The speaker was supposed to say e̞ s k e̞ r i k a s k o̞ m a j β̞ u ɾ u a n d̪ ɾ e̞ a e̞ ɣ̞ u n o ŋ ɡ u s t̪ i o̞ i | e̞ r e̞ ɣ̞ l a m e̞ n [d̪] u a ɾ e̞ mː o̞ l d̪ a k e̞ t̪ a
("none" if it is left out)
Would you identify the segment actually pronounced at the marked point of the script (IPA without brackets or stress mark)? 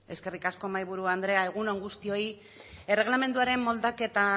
d̪